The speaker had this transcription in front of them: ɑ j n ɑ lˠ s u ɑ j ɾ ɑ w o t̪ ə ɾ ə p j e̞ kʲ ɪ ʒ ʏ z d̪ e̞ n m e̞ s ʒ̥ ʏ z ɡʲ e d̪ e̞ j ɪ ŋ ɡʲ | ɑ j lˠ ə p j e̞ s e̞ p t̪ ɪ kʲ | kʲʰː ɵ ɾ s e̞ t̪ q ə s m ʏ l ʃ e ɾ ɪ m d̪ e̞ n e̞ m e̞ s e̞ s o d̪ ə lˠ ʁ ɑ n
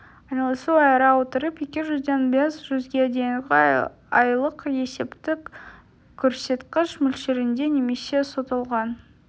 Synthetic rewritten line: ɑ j n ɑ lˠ s u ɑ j ɾ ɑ w o t̪ ə ɾ ə p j e̞ kʲ ɪ ʒ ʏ z d̪ e̞ n b e̞ s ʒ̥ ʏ z ɡʲ e d̪ e̞ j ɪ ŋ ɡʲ | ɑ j lˠ ə q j e̞ s e̞ p t̪ ɪ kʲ | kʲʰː ɵ ɾ s e̞ t̪ q ə ʃ m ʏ l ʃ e ɾ ɪ n d̪ e̞ n e̞ m e̞ s e̞ s o t̪ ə lˠ ʁ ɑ n